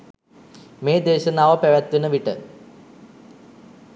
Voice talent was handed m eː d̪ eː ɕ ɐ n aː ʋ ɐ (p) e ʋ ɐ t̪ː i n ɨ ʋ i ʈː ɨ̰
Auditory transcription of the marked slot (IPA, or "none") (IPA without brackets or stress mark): p